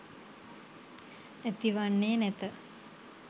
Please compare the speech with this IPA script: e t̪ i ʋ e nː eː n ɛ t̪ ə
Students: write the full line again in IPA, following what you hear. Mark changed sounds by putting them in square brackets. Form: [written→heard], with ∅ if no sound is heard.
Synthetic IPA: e t̪ i ʋ [e→a] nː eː n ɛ t̪ ə